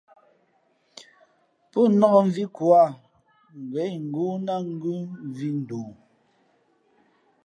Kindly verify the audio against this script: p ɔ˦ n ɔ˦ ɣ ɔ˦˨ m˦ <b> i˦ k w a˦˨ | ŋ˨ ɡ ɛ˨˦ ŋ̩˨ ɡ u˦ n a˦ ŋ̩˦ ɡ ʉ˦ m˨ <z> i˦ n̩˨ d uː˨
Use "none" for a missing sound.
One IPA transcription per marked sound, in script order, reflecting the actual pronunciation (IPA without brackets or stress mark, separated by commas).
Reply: v, v